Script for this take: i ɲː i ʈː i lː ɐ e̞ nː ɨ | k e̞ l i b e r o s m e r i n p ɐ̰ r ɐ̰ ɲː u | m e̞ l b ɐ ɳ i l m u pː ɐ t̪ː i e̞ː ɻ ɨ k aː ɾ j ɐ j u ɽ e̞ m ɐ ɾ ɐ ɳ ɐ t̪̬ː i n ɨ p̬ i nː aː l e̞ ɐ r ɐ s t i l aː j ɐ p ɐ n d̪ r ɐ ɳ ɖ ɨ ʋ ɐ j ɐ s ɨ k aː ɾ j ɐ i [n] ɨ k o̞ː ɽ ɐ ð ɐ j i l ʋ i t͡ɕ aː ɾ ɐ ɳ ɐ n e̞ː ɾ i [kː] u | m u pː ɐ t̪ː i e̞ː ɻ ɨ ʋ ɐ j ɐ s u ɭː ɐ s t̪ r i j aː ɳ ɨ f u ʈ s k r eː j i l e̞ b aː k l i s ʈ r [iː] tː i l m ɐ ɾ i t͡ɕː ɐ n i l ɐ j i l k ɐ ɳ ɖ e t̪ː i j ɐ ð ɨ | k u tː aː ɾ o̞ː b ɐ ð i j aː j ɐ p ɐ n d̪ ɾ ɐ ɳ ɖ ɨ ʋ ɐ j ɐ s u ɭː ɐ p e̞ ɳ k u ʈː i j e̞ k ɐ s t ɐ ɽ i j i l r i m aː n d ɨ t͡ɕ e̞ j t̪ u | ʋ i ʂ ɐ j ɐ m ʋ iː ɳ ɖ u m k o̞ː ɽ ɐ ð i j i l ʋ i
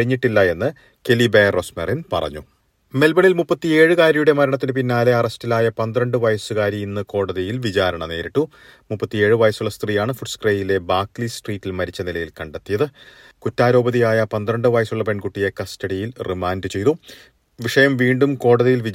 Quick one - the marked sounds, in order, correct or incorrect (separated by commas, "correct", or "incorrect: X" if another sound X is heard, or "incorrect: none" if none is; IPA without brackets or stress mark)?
incorrect: nː, incorrect: ʈː, correct